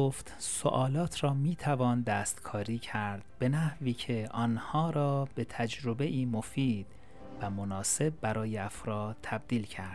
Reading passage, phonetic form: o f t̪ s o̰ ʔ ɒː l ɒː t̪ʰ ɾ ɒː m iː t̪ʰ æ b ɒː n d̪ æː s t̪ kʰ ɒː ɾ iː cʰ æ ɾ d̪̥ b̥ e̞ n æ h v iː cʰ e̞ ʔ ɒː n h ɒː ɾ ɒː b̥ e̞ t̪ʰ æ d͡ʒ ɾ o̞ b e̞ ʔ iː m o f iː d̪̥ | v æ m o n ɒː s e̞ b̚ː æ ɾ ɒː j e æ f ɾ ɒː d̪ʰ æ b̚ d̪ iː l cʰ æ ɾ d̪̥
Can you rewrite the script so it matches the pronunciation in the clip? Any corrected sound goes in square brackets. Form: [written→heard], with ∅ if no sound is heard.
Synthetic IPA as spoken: o f t̪ s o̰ ʔ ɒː l ɒː t̪ʰ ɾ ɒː m iː t̪ʰ æ [b→v] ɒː n d̪ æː s t̪ kʰ ɒː ɾ iː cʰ æ ɾ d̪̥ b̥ e̞ n æ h v iː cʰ e̞ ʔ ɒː n h ɒː ɾ ɒː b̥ e̞ t̪ʰ æ d͡ʒ ɾ o̞ b e̞ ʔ iː m o f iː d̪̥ | v æ m o n ɒː s e̞ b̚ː æ ɾ ɒː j e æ f ɾ ɒː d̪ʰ æ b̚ d̪ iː l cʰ æ ɾ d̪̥